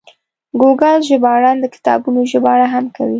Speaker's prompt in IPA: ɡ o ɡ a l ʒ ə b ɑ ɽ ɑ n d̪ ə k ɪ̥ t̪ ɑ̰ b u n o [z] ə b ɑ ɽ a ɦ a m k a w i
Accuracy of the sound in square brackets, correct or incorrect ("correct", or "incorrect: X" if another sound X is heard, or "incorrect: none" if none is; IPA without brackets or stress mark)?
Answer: incorrect: ʒ